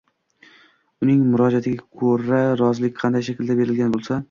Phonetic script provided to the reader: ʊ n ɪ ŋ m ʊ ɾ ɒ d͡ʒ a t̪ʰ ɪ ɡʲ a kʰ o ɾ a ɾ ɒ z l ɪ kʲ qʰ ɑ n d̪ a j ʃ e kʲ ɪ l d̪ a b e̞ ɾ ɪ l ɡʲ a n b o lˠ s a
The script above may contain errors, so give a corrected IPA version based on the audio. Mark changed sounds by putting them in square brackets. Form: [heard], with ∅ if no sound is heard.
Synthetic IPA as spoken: ʊ n ɪ ŋ m ʊ ɾ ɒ d͡ʒ a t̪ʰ ɪ ɡʲ a kʰ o ɾ a ɾ ɒ z l ɪ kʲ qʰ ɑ n d̪ a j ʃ [a] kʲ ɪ l d̪ a b e̞ ɾ ɪ l ɡʲ a n b o lˠ s a